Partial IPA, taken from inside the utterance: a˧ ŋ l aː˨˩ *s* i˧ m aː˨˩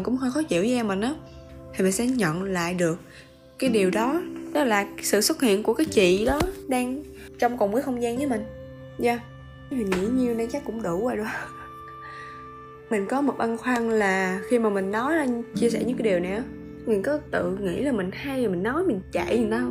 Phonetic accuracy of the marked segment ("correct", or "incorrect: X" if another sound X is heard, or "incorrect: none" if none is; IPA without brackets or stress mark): incorrect: x